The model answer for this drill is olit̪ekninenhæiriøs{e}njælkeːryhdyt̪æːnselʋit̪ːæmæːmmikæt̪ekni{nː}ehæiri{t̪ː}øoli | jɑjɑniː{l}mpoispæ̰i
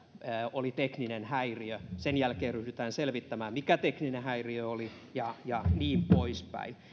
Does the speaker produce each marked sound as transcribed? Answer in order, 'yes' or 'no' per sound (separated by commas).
yes, no, no, no